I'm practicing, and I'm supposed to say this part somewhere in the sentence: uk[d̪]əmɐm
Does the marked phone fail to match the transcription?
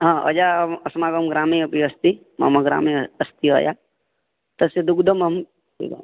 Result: no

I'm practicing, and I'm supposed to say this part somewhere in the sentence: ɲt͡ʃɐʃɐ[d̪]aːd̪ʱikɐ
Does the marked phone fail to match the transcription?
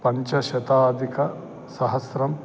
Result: yes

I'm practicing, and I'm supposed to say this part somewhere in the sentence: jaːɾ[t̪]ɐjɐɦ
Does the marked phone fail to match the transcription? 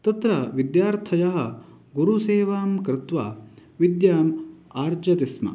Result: yes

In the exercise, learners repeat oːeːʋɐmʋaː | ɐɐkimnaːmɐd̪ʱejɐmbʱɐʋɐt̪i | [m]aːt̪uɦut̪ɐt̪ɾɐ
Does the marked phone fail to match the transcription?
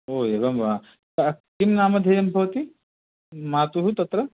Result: no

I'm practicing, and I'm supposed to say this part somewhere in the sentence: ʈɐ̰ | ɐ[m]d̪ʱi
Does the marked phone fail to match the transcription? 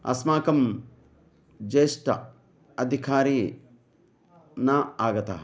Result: yes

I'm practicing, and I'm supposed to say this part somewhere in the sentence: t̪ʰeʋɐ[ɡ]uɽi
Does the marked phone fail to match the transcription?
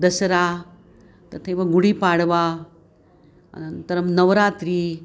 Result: no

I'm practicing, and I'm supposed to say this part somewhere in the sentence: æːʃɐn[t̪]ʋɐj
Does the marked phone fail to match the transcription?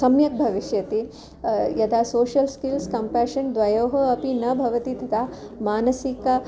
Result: yes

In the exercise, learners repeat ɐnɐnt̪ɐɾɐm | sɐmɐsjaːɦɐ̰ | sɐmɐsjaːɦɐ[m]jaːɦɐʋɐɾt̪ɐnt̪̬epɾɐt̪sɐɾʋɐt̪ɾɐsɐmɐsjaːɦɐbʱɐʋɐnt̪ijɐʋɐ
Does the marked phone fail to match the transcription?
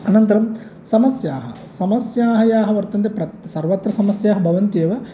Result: yes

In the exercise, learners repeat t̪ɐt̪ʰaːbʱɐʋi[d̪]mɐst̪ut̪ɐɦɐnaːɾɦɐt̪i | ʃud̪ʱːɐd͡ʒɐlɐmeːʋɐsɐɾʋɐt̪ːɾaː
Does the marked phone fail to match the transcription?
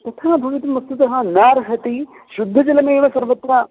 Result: yes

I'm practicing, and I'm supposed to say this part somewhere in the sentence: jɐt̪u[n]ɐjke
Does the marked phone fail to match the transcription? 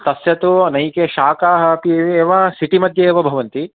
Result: no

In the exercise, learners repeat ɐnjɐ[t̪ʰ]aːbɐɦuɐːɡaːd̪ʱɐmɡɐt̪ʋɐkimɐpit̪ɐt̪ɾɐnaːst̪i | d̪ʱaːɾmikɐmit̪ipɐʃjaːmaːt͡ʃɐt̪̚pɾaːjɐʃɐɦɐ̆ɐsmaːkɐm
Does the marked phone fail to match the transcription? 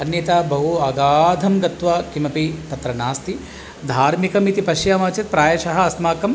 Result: yes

